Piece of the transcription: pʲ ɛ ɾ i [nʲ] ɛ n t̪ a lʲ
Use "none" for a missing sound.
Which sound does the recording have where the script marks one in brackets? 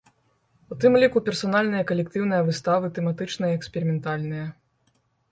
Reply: mʲ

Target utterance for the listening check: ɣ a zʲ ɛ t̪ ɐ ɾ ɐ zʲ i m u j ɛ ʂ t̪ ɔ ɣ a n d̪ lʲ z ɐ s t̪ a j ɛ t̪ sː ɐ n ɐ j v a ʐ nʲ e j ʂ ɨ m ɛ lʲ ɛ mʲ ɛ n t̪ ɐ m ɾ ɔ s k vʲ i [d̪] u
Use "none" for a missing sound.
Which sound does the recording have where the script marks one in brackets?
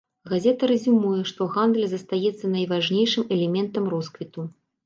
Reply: t̪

